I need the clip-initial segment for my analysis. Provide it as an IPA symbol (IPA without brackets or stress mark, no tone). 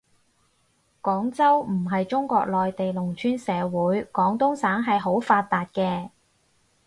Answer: k